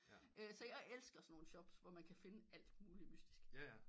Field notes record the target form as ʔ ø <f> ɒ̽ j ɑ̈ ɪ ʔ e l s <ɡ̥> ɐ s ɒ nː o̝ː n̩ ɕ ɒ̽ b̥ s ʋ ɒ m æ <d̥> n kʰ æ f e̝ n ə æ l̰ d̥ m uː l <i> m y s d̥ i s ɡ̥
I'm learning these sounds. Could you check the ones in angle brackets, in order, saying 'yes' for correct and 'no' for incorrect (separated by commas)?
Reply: no, yes, no, yes